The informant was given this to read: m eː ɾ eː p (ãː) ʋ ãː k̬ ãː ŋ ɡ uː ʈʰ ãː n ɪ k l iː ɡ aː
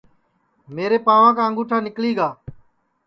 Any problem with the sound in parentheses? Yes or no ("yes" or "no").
yes